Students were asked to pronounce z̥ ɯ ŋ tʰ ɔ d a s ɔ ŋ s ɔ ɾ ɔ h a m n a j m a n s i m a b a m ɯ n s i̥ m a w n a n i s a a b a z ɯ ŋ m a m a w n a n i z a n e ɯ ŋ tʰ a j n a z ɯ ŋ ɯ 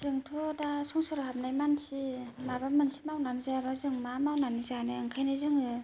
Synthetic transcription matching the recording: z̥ ɯ ŋ tʰ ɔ d a s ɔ ŋ s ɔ ɾ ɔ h a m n a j m a n s i m a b a m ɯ n s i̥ m a w n a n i z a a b a z ɯ ŋ m a m a w n a n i z a n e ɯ ŋ kʰ a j n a z ɯ ŋ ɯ